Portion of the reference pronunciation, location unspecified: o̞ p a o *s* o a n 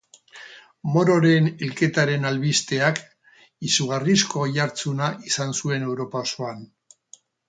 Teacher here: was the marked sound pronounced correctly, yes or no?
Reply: yes